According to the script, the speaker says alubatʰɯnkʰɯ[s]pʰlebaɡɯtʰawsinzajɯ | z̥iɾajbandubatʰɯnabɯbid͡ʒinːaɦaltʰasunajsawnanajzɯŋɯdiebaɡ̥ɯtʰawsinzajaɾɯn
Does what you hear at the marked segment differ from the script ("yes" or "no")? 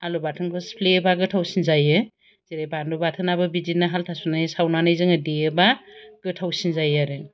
no